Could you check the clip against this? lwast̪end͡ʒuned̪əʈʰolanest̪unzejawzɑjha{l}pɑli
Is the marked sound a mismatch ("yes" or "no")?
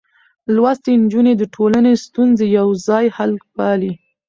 no